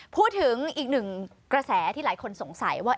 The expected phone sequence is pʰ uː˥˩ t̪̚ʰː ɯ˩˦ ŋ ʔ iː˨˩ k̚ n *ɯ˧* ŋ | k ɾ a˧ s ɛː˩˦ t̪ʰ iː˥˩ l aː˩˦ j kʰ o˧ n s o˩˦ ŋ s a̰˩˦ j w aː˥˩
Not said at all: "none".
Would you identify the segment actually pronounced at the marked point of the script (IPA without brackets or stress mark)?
ɯ˨˩